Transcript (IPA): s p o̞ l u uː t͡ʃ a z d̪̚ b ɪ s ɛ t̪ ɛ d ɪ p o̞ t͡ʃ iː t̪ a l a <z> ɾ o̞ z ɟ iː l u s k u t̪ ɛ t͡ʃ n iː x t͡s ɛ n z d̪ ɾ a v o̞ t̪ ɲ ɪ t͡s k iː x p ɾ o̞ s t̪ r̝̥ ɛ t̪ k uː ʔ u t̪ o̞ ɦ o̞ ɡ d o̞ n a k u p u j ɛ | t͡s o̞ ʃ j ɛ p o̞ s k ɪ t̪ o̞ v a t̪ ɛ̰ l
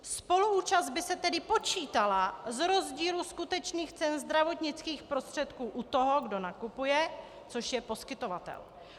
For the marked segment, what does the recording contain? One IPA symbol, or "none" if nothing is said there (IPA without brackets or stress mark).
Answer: z